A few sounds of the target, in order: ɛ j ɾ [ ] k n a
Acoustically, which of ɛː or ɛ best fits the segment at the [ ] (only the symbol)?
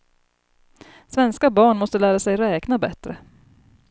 ɛː